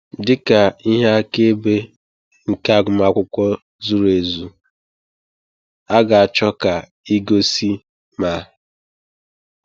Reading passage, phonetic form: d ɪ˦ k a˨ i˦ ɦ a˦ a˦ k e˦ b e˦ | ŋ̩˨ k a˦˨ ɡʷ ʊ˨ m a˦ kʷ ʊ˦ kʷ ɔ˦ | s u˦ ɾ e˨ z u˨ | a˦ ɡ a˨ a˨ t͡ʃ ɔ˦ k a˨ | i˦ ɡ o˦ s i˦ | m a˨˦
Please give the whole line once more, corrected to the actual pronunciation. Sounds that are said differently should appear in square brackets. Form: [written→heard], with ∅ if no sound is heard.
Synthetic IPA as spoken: d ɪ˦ k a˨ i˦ ɦ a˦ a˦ k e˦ b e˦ | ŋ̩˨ k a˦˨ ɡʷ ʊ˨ m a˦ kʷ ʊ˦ kʷ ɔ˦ | [s→z] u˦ ɾ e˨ z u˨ | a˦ ɡ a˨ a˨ t͡ʃ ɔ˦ k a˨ | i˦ ɡ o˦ s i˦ | m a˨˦

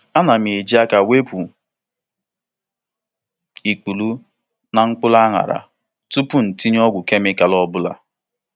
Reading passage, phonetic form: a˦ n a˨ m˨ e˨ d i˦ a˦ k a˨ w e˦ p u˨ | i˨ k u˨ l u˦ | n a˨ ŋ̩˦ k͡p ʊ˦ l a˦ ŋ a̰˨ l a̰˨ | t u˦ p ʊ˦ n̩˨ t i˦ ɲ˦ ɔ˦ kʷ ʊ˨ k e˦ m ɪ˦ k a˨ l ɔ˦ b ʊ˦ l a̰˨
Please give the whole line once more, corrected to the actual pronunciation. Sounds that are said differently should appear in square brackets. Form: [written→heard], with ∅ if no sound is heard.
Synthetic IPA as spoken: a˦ n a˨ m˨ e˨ [d→d͡ʒ] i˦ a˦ k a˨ w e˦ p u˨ | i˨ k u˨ l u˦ | n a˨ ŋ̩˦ k͡p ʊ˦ l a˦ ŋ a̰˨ [l→ɾ] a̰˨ | t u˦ p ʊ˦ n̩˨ t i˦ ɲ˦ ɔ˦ [kʷ→ɡʷ] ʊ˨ k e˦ m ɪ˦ k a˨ l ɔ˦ b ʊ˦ l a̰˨

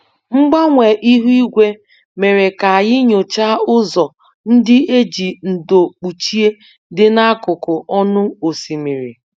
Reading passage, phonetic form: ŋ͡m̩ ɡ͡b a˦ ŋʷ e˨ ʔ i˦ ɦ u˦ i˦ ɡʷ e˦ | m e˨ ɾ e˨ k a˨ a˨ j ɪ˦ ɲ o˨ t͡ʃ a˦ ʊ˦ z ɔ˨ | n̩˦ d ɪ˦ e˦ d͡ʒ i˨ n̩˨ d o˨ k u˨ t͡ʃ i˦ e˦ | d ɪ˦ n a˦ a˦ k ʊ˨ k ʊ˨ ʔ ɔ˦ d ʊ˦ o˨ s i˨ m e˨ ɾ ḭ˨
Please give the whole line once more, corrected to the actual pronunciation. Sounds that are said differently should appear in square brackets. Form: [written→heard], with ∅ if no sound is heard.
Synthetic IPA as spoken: ŋ͡m̩ ɡ͡b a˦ ŋʷ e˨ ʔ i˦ ɦ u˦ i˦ ɡʷ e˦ | m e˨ ɾ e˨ k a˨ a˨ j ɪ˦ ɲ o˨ t͡ʃ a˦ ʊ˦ z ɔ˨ | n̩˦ d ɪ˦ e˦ d͡ʒ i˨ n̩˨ d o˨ [k→k͡p] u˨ t͡ʃ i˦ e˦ | d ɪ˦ n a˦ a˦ k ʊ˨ k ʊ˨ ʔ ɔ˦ [d→n] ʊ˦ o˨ s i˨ m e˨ ɾ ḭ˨

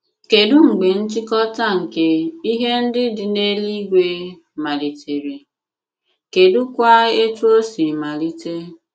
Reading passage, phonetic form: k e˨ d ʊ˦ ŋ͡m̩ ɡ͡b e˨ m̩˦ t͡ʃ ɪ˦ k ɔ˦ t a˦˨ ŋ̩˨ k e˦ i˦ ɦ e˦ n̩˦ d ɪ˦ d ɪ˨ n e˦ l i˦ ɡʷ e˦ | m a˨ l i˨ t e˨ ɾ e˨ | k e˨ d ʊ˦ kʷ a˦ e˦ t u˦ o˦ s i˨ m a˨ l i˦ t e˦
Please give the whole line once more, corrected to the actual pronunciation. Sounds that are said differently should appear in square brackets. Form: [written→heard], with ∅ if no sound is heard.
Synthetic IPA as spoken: k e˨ d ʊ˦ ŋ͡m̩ ɡ͡b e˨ [m̩˦→n̩˦] t͡ʃ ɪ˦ k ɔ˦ t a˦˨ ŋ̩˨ k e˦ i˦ ɦ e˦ n̩˦ d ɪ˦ d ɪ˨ n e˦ l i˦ ɡʷ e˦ | m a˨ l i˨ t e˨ ɾ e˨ | k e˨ d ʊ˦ kʷ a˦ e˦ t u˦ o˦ s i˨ m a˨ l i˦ t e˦

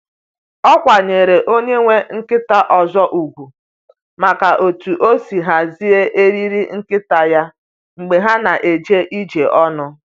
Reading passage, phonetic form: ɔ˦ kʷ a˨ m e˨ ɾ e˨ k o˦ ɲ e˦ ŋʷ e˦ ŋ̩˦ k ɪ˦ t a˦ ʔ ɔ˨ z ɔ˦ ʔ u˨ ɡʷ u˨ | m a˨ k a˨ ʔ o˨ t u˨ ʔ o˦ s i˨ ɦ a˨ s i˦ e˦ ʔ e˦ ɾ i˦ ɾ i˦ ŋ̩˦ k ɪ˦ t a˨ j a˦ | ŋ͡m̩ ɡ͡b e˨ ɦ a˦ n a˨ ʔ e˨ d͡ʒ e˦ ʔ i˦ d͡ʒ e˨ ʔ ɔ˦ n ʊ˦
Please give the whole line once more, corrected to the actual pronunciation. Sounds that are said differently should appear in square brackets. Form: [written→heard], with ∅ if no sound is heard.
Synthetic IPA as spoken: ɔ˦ kʷ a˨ [m→ɲ] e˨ ɾ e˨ [k→ʔ] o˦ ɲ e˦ ŋʷ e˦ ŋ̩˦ k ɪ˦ t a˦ ʔ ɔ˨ z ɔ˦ ʔ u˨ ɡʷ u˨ | m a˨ k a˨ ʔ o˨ t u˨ ʔ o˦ s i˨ ɦ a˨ [s→z] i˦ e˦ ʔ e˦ ɾ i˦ ɾ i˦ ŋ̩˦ k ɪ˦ t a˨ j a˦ | ŋ͡m̩ ɡ͡b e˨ ɦ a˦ n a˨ ʔ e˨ d͡ʒ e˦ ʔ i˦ d͡ʒ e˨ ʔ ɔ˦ n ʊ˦

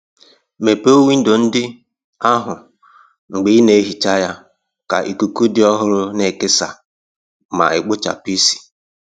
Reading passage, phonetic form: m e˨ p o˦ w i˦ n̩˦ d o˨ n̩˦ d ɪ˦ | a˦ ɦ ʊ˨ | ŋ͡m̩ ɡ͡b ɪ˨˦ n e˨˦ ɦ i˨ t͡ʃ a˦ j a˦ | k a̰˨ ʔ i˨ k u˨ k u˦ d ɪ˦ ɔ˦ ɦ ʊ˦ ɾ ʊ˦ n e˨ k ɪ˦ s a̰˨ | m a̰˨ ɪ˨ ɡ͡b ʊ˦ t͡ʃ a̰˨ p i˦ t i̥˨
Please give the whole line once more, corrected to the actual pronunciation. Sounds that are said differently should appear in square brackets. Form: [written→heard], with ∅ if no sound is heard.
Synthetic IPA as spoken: m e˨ p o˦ w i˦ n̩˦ d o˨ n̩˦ d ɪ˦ | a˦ ɦ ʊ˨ | ŋ͡m̩ ɡ͡b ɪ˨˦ n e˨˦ ɦ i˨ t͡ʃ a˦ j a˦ | k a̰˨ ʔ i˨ k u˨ k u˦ d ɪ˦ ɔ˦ ɦ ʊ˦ ɾ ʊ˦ n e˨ k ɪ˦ s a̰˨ | m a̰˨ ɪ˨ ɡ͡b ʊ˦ t͡ʃ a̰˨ p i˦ [t→s] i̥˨

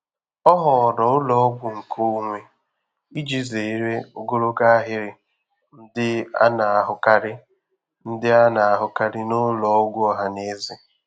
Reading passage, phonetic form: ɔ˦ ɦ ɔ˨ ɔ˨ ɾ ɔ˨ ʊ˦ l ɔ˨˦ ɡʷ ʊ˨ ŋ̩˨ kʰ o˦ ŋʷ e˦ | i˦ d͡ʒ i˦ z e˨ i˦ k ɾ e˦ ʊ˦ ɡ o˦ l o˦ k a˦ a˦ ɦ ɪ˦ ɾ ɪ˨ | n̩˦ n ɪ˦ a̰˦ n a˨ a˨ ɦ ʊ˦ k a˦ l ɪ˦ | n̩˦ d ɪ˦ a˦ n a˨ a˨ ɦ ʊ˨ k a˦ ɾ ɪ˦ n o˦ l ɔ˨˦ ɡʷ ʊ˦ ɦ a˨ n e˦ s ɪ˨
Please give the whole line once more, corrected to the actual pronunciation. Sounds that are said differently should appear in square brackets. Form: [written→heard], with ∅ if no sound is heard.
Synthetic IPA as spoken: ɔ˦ ɦ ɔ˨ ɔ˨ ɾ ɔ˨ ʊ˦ l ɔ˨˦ ɡʷ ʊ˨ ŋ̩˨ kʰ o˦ ŋʷ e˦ | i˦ d͡ʒ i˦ z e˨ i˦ [k→∅] ɾ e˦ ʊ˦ ɡ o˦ [l→ɾ] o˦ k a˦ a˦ ɦ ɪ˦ ɾ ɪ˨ | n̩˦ [n→d] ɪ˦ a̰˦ n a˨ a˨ ɦ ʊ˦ k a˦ [l→ɾ] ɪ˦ | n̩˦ d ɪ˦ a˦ n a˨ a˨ ɦ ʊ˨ k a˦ ɾ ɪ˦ n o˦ l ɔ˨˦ ɡʷ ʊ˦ ɦ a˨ n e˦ [s→z] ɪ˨

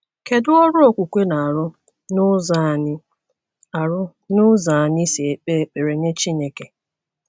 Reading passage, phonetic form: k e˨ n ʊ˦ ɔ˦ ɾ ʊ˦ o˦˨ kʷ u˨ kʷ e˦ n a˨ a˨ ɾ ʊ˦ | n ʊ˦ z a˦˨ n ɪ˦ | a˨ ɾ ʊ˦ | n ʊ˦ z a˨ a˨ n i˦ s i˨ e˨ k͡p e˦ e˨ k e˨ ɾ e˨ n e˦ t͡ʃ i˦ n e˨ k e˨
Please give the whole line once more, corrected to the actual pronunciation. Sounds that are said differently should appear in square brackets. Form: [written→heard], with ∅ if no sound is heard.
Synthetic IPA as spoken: k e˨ [n→d] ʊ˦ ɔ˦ ɾ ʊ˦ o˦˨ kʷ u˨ kʷ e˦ n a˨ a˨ ɾ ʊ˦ | n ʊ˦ z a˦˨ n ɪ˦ | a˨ ɾ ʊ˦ | n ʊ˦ z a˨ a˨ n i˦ s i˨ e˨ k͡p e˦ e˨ [k→k͡p] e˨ ɾ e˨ n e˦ t͡ʃ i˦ n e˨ k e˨

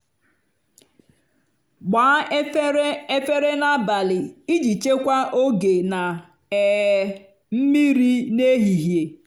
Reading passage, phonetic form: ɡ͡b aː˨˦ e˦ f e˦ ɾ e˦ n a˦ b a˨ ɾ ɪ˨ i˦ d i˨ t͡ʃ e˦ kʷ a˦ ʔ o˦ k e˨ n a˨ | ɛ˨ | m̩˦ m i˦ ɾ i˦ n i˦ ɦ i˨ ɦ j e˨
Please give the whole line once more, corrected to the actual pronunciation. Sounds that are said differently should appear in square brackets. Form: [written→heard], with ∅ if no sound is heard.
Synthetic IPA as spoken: ɡ͡b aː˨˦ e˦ f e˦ ɾ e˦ n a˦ b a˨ [ɾ→l] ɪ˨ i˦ [d→d͡ʒ] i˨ t͡ʃ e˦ kʷ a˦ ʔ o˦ [k→ɡ] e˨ n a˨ | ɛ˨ | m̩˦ m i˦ ɾ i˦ n [i˦→e˦] ɦ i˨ ɦ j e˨

